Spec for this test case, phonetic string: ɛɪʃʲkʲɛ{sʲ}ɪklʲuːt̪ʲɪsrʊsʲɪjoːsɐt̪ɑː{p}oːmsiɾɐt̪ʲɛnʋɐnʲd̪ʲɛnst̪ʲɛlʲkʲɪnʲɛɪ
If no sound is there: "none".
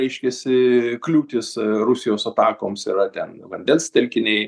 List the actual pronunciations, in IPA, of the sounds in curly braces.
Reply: sʲ, k

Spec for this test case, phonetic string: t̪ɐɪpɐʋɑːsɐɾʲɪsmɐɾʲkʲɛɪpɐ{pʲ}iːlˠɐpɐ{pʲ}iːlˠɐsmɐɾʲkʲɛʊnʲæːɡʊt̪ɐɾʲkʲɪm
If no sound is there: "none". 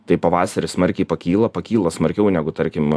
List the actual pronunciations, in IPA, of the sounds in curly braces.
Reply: kʲ, kʲ

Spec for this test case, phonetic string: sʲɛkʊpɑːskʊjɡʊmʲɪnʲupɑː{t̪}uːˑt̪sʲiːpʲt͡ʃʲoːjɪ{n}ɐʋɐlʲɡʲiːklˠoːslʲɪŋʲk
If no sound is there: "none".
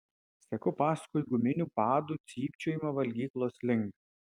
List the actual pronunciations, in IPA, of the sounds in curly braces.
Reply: d̪, m

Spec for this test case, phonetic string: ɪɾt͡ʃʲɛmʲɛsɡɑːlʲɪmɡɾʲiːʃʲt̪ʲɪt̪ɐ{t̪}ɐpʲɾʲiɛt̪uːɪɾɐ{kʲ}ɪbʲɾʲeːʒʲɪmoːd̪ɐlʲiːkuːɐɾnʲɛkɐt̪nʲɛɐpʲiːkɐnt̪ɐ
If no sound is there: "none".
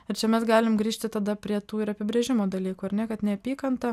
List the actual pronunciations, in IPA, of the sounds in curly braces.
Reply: d̪, pʲ

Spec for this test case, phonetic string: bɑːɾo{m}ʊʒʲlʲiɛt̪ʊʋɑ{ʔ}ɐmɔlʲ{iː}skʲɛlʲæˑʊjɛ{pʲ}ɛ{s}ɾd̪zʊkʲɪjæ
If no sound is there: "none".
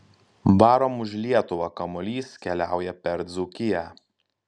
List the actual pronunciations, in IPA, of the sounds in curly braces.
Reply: m, k, iː, pʲ, none

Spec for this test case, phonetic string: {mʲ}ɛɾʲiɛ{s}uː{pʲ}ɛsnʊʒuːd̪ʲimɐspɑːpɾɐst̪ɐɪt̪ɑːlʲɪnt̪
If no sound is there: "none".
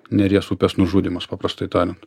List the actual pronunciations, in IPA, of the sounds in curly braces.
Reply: nʲ, s, pʲ

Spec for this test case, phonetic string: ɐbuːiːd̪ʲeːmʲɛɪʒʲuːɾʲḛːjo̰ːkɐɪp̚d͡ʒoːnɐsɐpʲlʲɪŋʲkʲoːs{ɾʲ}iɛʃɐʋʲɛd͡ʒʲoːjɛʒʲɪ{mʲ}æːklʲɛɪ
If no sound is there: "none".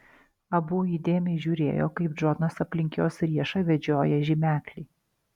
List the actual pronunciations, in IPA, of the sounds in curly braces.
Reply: ɾʲ, mʲ

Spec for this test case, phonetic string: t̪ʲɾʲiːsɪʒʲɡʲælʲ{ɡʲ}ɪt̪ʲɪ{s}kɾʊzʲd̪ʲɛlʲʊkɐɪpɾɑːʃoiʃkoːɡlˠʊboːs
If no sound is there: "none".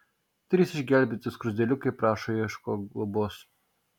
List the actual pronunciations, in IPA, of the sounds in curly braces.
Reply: bʲ, s

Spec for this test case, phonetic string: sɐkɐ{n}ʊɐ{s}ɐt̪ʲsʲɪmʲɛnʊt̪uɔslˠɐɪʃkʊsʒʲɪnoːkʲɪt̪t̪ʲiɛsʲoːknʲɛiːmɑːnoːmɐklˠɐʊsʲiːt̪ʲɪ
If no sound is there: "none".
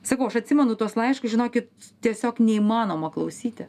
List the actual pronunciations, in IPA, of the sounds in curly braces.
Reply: none, ʃ

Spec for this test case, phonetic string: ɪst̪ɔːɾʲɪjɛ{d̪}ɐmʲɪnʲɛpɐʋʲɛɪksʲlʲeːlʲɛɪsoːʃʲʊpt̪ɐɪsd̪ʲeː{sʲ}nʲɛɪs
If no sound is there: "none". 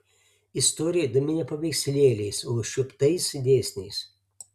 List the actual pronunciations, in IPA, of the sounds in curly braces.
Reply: d̪, sʲ

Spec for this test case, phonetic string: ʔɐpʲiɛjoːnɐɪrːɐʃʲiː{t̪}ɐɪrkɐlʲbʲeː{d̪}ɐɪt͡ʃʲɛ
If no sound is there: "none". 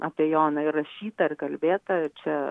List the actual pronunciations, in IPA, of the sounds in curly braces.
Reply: t̪, t̪

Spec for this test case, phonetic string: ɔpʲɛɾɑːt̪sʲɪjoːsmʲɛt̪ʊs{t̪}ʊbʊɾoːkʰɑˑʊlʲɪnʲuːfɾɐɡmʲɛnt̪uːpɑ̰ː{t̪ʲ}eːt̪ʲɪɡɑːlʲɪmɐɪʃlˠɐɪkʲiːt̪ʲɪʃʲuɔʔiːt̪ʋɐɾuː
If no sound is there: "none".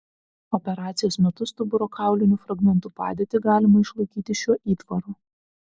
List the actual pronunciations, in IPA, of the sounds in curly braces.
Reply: t̪, d̪ʲ

